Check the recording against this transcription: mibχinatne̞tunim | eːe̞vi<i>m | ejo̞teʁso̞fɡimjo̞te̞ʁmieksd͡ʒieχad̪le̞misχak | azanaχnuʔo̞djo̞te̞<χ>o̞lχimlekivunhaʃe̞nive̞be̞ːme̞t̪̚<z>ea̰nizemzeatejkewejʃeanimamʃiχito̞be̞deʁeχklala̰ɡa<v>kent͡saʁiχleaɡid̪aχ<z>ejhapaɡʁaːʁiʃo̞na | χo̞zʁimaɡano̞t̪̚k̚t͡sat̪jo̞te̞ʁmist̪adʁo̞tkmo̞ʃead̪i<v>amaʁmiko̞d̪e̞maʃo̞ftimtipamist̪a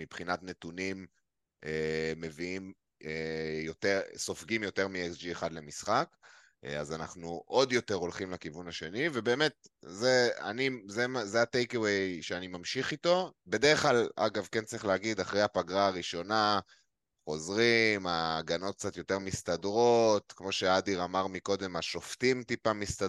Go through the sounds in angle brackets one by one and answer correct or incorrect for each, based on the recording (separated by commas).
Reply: correct, incorrect, correct, correct, incorrect, incorrect